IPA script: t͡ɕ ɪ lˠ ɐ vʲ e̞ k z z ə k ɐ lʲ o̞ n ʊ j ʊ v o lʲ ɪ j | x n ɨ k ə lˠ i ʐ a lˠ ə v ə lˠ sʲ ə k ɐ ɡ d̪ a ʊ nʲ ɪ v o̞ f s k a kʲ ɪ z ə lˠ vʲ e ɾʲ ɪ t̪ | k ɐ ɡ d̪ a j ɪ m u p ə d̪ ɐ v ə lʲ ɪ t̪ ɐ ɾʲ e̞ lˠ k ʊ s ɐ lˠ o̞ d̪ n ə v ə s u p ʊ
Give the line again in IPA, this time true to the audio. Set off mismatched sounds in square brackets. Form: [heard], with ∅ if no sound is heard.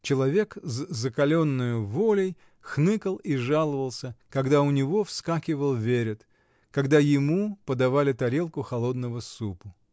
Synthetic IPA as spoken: t͡ɕ ɪ lˠ ɐ vʲ e̞ k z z ə k ɐ lʲ o̞ [nː] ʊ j ʊ v o lʲ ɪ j | x n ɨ k ə lˠ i ʐ a lˠ ə v ə lˠ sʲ ə k ɐ ɡ d̪ a ʊ nʲ ɪ v o̞ f s k a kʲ ɪ [v] ə lˠ vʲ e ɾʲ ɪ t̪ | k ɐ ɡ d̪ a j ɪ m u p ə d̪ ɐ v [a] lʲ ɪ t̪ ɐ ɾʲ e̞ lˠ k ʊ [x] ɐ lˠ o̞ d̪ n ə v ə s u p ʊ